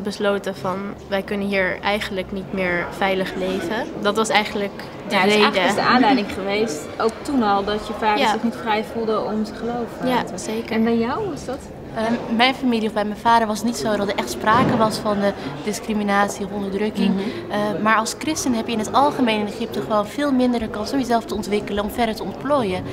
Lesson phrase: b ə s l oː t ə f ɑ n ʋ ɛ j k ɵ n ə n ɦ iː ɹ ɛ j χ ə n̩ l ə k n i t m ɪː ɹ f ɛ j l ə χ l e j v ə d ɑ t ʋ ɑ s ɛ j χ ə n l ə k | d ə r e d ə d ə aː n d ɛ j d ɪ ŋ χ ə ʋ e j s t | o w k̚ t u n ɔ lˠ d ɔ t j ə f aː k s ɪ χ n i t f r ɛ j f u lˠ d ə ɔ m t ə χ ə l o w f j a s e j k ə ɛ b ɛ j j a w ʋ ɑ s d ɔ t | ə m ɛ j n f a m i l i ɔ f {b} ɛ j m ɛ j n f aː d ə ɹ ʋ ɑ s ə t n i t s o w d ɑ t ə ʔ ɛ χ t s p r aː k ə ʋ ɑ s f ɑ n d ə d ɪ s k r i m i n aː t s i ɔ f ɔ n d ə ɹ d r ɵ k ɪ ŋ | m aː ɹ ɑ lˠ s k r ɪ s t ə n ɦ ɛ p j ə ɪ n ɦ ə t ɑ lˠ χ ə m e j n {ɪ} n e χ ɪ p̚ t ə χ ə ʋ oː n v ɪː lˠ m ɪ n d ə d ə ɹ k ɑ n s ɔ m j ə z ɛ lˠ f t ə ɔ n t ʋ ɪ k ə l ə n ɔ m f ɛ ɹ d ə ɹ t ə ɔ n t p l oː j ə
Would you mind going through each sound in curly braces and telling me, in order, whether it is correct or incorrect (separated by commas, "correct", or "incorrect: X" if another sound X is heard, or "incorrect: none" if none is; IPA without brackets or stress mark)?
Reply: correct, correct